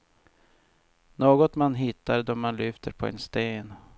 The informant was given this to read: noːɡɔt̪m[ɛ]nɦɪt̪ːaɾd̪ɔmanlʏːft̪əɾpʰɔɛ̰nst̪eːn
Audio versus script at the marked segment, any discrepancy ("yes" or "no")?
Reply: yes